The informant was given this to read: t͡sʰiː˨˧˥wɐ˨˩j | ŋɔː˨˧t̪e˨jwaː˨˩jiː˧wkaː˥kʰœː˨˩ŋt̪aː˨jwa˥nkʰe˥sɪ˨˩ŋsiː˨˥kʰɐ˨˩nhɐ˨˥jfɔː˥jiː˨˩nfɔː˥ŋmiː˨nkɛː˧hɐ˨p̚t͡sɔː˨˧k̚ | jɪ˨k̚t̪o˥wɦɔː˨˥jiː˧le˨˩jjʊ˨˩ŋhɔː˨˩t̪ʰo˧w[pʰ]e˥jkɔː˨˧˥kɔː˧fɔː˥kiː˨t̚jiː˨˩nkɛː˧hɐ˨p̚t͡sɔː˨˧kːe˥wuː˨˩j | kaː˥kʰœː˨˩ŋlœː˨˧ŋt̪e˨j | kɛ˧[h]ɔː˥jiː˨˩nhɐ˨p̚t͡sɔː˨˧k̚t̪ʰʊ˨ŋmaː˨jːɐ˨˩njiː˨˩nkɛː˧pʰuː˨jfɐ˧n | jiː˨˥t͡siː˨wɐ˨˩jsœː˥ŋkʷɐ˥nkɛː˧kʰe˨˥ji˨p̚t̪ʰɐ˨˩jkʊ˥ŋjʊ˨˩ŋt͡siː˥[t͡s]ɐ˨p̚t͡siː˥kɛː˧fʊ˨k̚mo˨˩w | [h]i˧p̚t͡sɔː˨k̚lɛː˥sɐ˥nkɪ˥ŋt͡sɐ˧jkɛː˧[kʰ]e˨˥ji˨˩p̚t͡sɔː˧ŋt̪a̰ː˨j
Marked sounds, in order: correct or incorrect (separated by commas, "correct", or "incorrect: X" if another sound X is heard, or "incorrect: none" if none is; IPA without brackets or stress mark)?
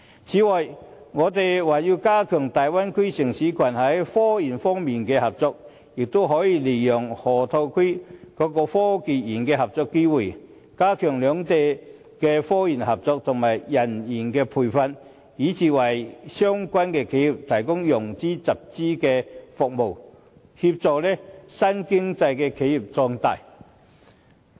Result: incorrect: kʰ, incorrect: f, correct, correct, correct